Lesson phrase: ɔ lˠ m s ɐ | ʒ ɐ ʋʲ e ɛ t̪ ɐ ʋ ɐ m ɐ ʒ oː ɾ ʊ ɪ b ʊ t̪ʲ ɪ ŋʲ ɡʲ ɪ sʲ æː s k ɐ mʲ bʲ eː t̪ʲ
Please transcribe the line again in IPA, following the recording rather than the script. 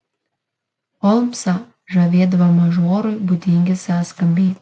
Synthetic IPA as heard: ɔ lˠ m s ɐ | ʒ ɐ ʋʲ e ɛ d̪ ɐ ʋ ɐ m ɐ ʒ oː ɾ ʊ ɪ b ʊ d̪ʲ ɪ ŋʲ ɡʲ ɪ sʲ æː s k ɐ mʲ bʲ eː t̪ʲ